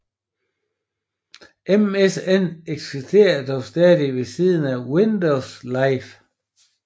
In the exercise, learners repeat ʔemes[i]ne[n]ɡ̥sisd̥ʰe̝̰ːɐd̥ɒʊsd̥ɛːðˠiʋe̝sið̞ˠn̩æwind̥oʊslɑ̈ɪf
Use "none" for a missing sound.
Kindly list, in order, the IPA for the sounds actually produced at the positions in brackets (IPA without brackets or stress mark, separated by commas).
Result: e, none